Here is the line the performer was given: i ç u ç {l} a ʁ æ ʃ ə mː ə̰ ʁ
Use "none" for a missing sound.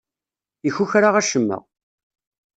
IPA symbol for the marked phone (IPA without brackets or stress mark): ɾ